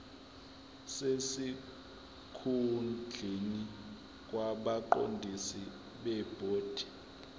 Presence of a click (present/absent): present